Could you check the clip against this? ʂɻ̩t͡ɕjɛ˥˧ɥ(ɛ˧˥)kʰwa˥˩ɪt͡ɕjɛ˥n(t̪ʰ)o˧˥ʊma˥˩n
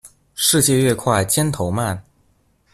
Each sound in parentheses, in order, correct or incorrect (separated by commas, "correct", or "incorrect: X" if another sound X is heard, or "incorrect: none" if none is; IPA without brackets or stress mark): incorrect: ɛ˥˧, correct